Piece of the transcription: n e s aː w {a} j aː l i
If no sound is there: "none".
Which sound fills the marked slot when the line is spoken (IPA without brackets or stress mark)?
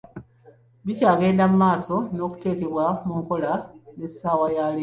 a